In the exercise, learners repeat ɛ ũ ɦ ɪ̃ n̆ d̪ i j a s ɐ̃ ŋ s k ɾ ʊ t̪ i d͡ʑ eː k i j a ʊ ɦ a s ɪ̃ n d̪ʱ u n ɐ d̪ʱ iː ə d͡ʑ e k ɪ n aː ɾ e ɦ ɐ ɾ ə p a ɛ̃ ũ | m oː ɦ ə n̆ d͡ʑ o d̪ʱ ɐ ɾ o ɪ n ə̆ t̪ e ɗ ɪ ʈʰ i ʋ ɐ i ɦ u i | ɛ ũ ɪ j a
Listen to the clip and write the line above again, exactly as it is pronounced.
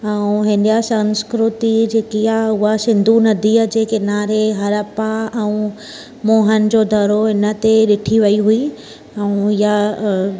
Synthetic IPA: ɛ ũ ɦ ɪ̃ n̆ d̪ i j a s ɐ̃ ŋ s k ɾ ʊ t̪ i d͡ʑ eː k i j a ʊ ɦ a s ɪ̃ n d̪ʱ u n ɐ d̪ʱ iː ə d͡ʑ e k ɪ n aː ɾ e ɦ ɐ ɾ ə p a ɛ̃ ũ | m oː ɦ ə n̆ d͡ʑ o d̪ʱ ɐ ɾ o ɪ n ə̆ t̪ e ɗ ɪ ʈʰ i ʋ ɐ i ɦ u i | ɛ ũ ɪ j a